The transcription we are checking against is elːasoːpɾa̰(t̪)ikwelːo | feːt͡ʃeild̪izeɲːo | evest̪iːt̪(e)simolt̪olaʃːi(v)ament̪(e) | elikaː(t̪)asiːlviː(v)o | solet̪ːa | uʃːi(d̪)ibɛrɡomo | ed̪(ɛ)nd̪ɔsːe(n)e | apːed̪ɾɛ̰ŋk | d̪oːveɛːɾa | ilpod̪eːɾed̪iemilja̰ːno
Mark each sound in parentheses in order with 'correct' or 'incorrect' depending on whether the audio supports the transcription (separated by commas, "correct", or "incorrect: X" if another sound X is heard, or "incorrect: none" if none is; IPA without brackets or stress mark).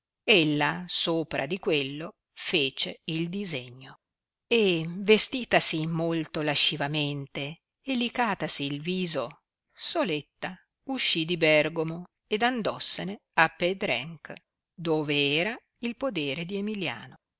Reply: incorrect: d̪, incorrect: a, correct, correct, correct, incorrect: z, correct, incorrect: a, correct